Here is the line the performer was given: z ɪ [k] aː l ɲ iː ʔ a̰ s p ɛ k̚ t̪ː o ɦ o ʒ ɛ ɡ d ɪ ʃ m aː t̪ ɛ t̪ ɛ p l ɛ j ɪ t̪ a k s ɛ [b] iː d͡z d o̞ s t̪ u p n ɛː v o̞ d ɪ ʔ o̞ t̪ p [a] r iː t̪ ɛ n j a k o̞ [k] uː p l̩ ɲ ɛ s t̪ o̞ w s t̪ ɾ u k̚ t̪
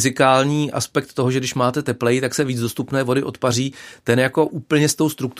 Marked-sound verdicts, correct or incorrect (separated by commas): correct, incorrect, correct, incorrect